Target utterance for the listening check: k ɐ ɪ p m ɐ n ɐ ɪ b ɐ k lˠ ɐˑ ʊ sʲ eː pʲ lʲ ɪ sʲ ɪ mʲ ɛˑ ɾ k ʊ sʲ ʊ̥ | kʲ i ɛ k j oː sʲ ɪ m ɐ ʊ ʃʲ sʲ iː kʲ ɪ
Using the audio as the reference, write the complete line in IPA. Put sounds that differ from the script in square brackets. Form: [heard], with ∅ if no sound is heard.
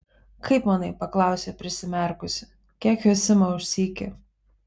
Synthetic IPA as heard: k ɐ ɪ p m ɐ n ɐ ɪ [p] ɐ k lˠ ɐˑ ʊ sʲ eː pʲ [ɾʲ] ɪ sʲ ɪ mʲ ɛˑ ɾ k ʊ sʲ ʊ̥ | kʲ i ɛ k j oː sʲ ɪ m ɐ ʊ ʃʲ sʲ iː kʲ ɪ